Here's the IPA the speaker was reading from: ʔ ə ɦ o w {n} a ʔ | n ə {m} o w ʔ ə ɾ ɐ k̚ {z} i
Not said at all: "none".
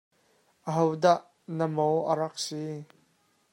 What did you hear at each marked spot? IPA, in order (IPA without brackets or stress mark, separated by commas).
d, m, s